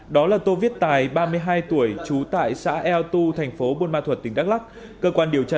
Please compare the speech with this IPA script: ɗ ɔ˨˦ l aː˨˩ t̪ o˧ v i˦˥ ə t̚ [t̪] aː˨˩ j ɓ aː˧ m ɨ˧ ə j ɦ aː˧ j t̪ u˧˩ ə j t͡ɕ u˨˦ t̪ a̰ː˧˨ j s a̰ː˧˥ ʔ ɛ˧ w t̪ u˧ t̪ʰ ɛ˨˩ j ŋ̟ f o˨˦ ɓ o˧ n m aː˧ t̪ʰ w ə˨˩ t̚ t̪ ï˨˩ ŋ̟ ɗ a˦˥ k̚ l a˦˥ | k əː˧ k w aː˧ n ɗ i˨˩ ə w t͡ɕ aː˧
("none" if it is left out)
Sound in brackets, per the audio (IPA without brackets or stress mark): t̪